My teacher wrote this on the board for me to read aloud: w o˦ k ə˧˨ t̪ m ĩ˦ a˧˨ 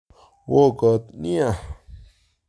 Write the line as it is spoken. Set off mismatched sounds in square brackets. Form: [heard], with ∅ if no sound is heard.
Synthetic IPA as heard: w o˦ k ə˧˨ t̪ [n] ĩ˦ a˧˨